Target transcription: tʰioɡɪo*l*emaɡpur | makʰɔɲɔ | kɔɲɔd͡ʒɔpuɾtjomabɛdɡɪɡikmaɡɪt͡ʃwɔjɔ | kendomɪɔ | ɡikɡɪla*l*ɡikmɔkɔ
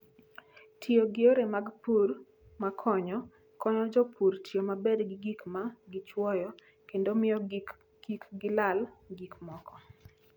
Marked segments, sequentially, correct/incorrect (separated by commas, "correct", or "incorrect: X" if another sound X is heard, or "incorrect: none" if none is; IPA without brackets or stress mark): incorrect: ɾ, correct